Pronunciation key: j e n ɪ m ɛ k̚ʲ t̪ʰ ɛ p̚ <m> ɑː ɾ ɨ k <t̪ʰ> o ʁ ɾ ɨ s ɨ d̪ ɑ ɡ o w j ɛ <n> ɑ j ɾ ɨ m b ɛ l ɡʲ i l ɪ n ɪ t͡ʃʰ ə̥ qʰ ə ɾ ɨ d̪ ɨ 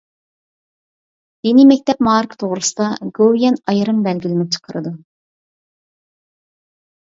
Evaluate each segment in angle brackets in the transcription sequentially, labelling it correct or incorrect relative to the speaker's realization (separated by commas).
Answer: correct, correct, correct